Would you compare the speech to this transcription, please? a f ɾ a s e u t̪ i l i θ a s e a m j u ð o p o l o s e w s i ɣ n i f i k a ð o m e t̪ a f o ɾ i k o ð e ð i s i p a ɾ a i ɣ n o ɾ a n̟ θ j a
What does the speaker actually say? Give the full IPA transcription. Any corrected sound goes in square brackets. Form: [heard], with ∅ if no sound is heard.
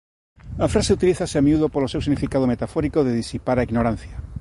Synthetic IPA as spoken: a f ɾ a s e u t̪ i l i θ a s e a m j u ð o p o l o s e w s i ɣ n i f i k a ð o m e t̪ a f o ɾ i k o ð e ð i s i p a ɾ a i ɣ n o ɾ a n̟ θ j a